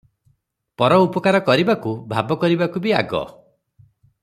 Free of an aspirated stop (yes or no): yes